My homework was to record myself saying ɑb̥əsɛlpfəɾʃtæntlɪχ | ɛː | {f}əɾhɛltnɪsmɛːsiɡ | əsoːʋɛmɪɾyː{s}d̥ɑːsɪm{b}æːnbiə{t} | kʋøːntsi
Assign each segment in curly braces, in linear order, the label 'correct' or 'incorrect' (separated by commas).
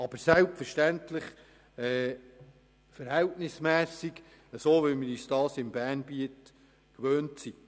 correct, correct, correct, correct